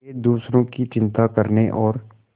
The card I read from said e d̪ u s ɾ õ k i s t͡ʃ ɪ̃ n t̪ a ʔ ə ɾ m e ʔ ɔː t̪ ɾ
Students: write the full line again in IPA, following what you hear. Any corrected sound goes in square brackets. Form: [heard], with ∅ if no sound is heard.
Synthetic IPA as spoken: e d̪ [uː] s ɾ õ k i [∅] t͡ʃ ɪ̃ n t̪ a [k] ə ɾ [n] e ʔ ɔː [∅] ɾ